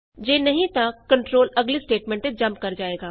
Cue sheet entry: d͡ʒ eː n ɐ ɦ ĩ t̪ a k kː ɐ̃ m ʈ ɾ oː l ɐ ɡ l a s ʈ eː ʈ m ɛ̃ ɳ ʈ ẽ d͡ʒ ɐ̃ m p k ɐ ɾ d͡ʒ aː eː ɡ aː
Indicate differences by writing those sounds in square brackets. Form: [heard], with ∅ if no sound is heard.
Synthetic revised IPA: d͡ʒ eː n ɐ ɦ ĩ t̪ a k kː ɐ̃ [ɳ] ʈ ɾ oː l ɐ ɡ l [i] s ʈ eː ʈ m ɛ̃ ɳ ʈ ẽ d͡ʒ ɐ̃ m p k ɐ ɾ d͡ʒ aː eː ɡ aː